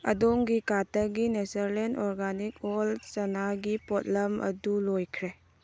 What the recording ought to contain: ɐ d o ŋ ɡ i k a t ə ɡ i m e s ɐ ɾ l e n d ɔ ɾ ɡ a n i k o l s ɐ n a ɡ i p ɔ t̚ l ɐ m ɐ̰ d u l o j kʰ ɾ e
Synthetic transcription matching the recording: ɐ d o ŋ ɡ i k a t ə ɡ i n e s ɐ ɾ l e n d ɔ ɾ ɡ a n i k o l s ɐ n a ɡ i p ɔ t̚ l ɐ m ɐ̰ d u l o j kʰ ɾ e